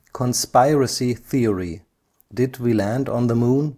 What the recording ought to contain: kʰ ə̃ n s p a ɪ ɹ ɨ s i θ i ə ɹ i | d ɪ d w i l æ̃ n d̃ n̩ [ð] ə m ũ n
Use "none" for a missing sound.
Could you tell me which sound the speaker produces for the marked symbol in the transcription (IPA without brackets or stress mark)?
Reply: ð